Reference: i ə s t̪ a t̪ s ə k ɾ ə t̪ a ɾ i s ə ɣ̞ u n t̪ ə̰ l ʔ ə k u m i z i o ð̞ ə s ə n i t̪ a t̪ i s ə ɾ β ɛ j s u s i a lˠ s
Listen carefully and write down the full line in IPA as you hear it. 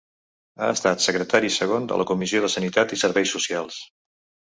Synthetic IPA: a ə s t̪ a t̪ s ə k ɾ ə t̪ a ɾ i s ə ɣ̞ o n d̪ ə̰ l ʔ ə k u m i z i o ð̞ ə s ə n i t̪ a t̪ i s ə ɾ β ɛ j s u s i a lˠ s